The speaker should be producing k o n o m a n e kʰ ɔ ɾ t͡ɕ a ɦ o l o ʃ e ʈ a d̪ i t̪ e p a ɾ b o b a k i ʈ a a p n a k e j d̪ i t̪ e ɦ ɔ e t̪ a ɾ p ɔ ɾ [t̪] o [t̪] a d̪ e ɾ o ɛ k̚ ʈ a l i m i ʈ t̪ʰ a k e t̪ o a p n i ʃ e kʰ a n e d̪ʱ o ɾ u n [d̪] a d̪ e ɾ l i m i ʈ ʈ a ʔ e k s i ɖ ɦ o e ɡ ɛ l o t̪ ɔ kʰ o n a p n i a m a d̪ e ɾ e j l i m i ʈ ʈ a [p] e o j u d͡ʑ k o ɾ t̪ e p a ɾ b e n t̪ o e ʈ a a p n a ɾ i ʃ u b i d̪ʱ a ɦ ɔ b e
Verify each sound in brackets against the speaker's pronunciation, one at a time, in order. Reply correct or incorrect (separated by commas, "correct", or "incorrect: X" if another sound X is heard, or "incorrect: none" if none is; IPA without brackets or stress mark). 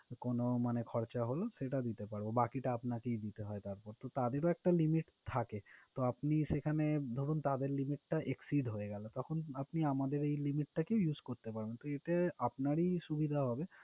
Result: correct, correct, incorrect: t̪, incorrect: k